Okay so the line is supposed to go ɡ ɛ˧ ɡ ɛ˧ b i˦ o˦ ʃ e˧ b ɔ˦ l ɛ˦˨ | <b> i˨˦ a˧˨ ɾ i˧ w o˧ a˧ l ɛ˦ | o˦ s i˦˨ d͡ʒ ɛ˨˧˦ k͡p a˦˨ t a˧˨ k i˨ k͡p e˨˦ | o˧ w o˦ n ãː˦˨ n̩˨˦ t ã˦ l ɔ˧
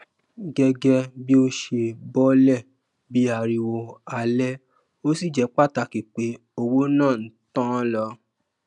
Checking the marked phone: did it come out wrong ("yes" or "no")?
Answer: no